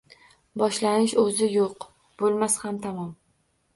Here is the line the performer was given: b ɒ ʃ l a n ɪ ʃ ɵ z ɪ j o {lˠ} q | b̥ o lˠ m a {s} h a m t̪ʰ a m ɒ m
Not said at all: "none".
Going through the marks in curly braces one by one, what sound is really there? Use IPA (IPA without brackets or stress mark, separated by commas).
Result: none, s